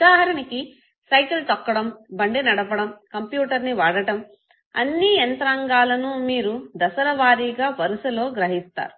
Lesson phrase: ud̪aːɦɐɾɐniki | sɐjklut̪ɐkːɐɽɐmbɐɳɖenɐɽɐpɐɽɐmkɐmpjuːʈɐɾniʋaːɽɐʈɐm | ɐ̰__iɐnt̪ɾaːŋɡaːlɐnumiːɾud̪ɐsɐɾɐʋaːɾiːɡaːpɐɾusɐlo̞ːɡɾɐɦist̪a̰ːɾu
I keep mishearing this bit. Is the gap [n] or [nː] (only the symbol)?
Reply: nː